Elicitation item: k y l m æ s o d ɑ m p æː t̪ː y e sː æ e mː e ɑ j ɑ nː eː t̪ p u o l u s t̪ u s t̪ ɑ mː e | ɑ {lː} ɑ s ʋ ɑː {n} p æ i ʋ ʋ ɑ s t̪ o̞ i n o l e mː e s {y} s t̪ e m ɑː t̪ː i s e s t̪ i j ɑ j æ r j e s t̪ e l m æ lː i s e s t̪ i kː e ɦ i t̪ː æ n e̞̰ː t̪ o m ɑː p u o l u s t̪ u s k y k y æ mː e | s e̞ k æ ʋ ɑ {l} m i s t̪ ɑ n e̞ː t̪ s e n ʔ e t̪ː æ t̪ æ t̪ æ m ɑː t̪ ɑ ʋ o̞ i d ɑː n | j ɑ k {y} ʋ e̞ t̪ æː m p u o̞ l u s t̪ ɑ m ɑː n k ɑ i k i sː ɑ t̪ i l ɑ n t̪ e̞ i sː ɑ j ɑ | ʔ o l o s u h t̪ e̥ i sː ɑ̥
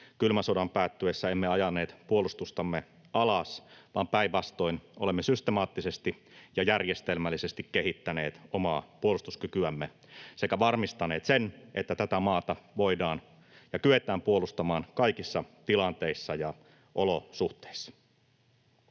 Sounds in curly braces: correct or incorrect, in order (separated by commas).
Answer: incorrect, incorrect, correct, incorrect, correct